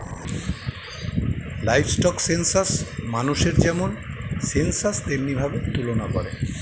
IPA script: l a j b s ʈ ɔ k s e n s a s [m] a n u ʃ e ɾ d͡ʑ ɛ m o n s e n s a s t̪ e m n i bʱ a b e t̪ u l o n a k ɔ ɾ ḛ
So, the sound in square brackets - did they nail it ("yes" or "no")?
yes